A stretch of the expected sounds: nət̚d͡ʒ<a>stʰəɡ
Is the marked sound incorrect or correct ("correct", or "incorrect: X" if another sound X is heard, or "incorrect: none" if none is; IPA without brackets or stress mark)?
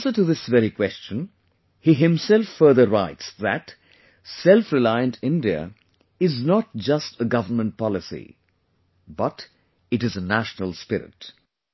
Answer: incorrect: ʌ